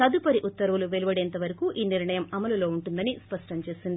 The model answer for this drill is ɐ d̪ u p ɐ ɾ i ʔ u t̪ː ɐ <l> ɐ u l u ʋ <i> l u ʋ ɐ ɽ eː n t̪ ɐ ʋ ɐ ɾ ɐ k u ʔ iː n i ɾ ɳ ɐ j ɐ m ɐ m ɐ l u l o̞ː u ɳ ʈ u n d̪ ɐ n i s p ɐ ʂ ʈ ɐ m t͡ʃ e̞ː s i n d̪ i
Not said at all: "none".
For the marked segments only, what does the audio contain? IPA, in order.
ɾ, e

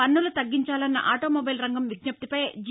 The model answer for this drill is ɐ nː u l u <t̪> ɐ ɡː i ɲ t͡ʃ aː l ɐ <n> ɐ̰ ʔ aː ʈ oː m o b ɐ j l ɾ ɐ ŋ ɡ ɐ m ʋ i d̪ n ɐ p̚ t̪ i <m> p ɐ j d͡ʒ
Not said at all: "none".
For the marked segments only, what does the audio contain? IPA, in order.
t̪, nː, none

